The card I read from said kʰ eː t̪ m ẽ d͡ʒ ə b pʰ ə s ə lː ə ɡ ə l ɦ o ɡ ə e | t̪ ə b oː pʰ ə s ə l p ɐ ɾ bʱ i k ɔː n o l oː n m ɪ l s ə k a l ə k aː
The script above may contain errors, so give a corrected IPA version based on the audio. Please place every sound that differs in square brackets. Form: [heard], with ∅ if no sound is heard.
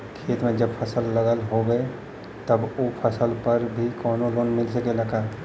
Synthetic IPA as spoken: kʰ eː t̪ m ẽ d͡ʒ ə b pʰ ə s ə lː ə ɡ ə l ɦ o ɡ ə e | t̪ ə b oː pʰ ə s ə l p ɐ ɾ bʱ i k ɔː n o l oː n m ɪ l s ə k [e] l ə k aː